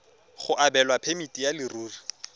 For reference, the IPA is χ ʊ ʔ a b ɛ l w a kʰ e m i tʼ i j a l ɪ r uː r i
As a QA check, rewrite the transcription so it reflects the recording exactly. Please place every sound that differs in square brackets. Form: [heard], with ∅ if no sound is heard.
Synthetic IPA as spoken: χ ʊ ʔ a b ɛ l w a [pʰ] e m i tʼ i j a l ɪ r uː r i